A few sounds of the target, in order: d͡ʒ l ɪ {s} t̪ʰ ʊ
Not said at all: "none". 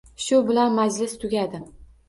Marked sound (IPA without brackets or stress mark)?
s